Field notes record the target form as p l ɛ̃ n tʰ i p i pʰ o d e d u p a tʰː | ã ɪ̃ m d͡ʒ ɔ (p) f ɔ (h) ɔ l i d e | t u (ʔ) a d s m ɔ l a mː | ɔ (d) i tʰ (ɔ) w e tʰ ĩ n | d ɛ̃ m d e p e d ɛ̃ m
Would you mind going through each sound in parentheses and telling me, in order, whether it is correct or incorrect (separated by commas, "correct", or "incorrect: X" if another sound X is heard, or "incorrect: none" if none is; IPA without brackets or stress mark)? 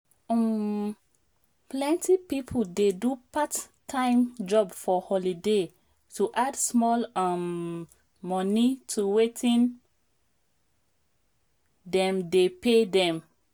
incorrect: b, correct, correct, incorrect: n, incorrect: u